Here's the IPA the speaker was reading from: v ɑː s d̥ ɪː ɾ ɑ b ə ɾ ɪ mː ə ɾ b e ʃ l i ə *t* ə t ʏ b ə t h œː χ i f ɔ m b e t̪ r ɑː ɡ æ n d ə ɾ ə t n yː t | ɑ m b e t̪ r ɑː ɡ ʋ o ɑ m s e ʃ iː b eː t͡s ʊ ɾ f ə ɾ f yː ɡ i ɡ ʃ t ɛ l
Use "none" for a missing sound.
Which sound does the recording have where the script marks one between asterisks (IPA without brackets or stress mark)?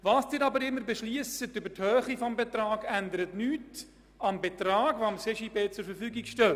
s